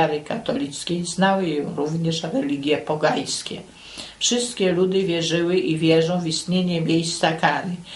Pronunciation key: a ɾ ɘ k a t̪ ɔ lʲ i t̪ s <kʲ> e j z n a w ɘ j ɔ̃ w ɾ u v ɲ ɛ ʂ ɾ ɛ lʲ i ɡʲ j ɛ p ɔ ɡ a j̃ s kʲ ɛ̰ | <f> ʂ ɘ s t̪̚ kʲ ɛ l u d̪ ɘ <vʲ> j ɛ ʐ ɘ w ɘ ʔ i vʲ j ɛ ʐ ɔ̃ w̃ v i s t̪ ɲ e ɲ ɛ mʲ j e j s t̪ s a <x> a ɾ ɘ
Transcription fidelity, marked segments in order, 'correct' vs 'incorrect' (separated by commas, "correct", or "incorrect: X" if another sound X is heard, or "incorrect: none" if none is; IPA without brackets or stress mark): correct, correct, correct, incorrect: k